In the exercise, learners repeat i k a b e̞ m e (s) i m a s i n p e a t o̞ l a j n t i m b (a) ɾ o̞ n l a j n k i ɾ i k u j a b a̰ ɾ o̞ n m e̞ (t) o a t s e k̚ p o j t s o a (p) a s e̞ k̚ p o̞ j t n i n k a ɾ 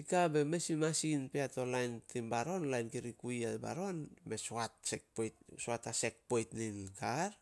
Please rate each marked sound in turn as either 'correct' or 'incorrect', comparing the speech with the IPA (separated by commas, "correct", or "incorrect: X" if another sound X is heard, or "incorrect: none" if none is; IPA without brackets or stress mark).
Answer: correct, correct, incorrect: s, incorrect: t